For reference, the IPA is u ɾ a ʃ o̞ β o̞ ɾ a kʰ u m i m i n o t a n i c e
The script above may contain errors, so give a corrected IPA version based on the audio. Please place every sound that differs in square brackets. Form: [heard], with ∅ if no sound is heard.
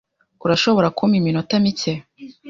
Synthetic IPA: u ɾ a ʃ o̞ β o̞ ɾ a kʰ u m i m i n o t a [m] i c e